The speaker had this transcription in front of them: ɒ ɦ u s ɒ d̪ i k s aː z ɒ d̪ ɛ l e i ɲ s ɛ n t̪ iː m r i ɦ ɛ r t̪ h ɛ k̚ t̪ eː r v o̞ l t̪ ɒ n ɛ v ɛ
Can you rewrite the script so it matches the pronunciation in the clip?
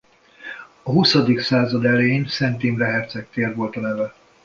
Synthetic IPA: ɒ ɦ u s ɒ d̪ i k s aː z ɒ d̪ ɛ l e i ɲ s ɛ n t̪ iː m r ɛ ɦ ɛ r t̪ s ɛ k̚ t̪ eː r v o̞ l t̪ ɒ n ɛ v ɛ